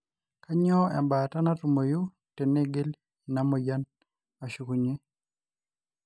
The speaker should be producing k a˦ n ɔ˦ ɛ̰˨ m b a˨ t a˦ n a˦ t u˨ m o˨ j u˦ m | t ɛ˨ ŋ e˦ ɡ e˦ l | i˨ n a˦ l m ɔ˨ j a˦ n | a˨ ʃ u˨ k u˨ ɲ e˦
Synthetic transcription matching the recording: k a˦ ɲ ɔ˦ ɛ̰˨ m b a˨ t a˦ n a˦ t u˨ m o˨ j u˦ | t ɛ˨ n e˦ ɡ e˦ l | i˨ n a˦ m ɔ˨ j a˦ n | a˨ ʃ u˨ k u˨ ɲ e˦